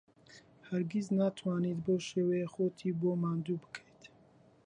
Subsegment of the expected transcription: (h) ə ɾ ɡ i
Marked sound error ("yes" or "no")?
no